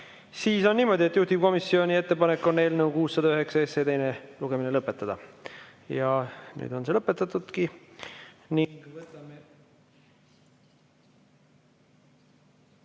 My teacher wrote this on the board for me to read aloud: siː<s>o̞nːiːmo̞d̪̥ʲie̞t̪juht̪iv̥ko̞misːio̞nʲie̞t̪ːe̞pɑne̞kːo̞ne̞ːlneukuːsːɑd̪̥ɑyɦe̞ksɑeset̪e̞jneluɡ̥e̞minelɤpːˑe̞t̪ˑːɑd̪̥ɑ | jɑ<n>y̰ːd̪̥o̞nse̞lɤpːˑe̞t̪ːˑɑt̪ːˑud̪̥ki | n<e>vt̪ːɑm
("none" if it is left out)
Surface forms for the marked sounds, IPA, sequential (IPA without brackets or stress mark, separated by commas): s, n, i